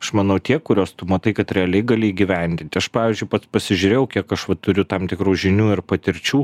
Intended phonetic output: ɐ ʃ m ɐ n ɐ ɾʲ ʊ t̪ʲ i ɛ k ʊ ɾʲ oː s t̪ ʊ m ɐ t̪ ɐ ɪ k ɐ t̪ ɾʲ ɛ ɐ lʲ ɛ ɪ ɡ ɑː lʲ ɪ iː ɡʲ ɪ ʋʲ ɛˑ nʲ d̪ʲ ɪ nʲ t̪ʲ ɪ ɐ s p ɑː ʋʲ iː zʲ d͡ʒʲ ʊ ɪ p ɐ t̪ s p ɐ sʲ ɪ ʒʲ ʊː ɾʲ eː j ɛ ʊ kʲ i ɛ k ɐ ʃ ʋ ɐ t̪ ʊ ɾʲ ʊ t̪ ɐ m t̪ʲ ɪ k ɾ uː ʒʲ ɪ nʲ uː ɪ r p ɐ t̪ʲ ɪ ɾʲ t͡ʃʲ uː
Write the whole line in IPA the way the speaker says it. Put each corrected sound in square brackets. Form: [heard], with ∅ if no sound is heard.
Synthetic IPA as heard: ɐ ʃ m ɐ n ɐ [∅] ʊ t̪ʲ i ɛ k ʊ ɾʲ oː s t̪ ʊ m ɐ t̪ ɐ ɪ k ɐ t̪ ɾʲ ɛ ɐ lʲ ɛ ɪ ɡ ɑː lʲ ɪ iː ɡʲ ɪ ʋʲ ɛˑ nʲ d̪ʲ ɪ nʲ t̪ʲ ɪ ɐ [ʃ] p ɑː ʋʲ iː zʲ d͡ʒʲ ʊ ɪ p ɐ t̪ s p ɐ sʲ ɪ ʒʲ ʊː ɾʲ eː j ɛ ʊ kʲ i ɛ k ɐ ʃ ʋ ɐ t̪ ʊ ɾʲ ʊ t̪ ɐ m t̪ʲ ɪ k ɾ uː ʒʲ ɪ nʲ uː ɪ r p ɐ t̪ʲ ɪ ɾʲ t͡ʃʲ uː

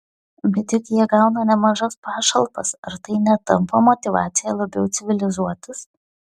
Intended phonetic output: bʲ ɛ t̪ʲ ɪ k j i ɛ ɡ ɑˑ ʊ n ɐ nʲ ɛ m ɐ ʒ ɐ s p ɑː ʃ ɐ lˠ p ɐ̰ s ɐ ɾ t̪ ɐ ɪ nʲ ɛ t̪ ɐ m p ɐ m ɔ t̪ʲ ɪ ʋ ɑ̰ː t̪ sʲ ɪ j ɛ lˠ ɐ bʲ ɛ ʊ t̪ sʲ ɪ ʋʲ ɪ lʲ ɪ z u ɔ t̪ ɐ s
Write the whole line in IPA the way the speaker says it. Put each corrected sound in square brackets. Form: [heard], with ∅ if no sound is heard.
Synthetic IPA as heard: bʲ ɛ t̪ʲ ɪ k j i ɛ ɡ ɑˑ ʊ n ɐ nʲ ɛ m ɐ ʒ ɐ s p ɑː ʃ ɐ lˠ p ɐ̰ s ɐ ɾ t̪ ɐ ɪ nʲ ɛ t̪ ɐ m p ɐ m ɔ t̪ʲ ɪ ʋ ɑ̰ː t̪ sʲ ɪ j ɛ lˠ ɐ bʲ ɛ ʊ t̪ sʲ ɪ ʋʲ ɪ lʲ ɪ z u ɔ t̪ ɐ s

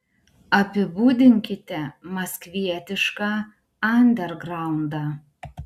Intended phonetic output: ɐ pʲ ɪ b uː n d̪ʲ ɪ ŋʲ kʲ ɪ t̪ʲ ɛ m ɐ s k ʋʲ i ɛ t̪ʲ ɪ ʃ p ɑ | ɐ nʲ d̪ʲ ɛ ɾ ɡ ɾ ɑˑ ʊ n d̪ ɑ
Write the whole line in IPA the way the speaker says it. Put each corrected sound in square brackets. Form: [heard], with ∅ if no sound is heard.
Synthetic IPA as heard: ɐ pʲ ɪ b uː [∅] d̪ʲ ɪ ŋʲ kʲ ɪ t̪ʲ ɛ m ɐ s k ʋʲ i ɛ t̪ʲ ɪ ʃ [k] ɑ | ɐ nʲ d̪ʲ ɛ ɾ ɡ ɾ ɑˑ ʊ n d̪ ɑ

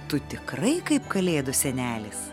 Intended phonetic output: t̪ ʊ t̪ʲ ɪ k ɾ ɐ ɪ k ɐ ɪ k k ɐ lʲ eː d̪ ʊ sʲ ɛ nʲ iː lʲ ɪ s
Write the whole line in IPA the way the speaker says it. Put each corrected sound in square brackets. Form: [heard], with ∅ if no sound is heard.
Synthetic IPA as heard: t̪ ʊ t̪ʲ ɪ k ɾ ɐ ɪ k ɐ ɪ [p] k ɐ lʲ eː d̪ ʊ sʲ ɛ nʲ [æː] lʲ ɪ s

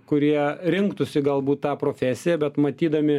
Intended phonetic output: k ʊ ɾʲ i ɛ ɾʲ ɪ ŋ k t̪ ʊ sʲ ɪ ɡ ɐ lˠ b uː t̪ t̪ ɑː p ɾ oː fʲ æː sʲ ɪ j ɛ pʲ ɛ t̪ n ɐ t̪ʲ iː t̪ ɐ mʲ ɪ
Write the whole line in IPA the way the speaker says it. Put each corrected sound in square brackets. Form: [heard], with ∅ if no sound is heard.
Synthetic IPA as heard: k ʊ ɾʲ i ɛ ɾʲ ɪ ŋ k t̪ ʊ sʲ ɪ ɡ ɐ lˠ b uː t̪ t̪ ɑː p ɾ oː fʲ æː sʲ ɪ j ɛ [bʲ] ɛ t̪ [m] ɐ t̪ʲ iː [d̪] ɐ mʲ ɪ

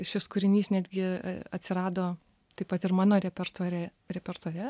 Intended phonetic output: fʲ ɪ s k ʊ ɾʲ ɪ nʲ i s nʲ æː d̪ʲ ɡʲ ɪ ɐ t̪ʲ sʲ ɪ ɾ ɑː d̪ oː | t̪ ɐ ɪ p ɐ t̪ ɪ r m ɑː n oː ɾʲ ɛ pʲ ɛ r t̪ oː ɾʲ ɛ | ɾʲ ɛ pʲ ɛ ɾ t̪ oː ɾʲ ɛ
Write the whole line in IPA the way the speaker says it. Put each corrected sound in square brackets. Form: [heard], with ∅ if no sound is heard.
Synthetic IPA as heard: [ʃʲ] ɪ s k ʊ ɾʲ ɪ nʲ [iː] s nʲ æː d̪ʲ ɡʲ ɪ ɐ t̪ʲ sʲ ɪ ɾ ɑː d̪ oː | t̪ ɐ ɪ p ɐ t̪ ɪ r m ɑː n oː ɾʲ ɛ pʲ ɛ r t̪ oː ɾʲ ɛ | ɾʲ ɛ pʲ ɛ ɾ t̪ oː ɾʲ ɛ

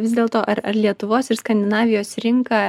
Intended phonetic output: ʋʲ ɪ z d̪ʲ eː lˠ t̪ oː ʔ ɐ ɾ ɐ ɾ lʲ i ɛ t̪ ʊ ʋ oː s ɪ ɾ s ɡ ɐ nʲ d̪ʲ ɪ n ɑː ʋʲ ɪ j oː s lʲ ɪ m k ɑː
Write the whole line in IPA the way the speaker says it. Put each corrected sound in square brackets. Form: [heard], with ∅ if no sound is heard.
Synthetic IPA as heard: ʋʲ ɪ z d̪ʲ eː lˠ t̪ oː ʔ ɐ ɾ ɐ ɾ lʲ i ɛ t̪ ʊ ʋ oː s ɪ ɾ s [k] ɐ nʲ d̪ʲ ɪ n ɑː ʋʲ ɪ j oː s [ɾʲ] ɪ [ŋ] k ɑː

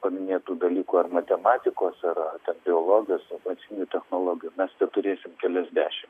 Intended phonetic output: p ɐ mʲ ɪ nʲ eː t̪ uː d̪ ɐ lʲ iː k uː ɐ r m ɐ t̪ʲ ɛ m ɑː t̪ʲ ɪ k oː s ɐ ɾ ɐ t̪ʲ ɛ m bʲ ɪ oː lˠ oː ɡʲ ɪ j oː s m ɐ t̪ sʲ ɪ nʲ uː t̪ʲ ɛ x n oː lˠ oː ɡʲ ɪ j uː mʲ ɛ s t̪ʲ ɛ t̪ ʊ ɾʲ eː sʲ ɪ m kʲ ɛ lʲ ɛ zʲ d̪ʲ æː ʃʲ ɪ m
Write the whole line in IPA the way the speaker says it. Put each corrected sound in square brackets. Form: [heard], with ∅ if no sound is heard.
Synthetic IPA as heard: p ɐ mʲ ɪ nʲ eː t̪ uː d̪ ɐ lʲ iː k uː ɐ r m ɐ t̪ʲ ɛ m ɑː t̪ʲ ɪ k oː s ɐ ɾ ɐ t̪ʲ ɛ [n] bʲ ɪ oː lˠ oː ɡʲ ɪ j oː s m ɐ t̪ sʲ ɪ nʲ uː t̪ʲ ɛ x n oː lˠ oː ɡʲ ɪ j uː mʲ ɛ s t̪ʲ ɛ t̪ ʊ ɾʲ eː sʲ ɪ m kʲ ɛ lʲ ɛ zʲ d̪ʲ æː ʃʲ ɪ m

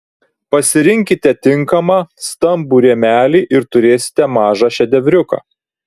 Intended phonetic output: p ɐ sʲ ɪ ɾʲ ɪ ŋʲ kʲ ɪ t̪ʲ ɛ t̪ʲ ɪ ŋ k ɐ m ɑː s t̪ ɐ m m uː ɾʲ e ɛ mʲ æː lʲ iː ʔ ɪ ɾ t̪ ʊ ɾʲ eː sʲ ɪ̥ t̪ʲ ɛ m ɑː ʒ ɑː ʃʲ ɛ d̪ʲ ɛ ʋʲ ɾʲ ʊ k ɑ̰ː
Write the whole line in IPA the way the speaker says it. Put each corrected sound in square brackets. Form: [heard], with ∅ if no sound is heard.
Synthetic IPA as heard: p ɐ sʲ ɪ ɾʲ ɪ ŋʲ kʲ ɪ t̪ʲ ɛ t̪ʲ ɪ ŋ k ɐ m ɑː s t̪ ɐ m [b] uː ɾʲ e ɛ mʲ æː lʲ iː ʔ ɪ ɾ t̪ ʊ ɾʲ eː sʲ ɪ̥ t̪ʲ ɛ m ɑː ʒ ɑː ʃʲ ɛ d̪ʲ ɛ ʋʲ ɾʲ ʊ k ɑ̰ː

